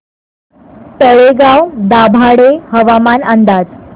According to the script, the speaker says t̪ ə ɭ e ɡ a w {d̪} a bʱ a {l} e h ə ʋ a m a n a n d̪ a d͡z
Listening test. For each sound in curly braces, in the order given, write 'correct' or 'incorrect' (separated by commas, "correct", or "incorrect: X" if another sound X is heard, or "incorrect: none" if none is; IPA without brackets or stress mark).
correct, incorrect: ɽ